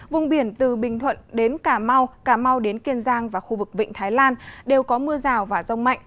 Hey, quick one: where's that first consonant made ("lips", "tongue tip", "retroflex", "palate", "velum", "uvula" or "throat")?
lips